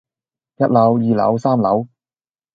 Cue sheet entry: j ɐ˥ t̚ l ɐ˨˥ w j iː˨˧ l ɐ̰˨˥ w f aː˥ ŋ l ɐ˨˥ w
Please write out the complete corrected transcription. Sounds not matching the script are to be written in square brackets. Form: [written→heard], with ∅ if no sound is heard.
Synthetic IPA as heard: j ɐ˥ t̚ l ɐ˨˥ w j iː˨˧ l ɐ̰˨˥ w [f→s] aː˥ [ŋ→m] l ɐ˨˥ w

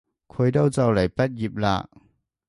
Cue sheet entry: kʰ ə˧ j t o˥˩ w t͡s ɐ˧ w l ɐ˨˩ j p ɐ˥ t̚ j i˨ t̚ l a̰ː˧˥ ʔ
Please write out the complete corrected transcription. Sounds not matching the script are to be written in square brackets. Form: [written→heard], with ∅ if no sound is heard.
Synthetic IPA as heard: kʰ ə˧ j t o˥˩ w t͡s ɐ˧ w l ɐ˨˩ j p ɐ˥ t̚ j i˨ [t̚→p̚] l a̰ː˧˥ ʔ

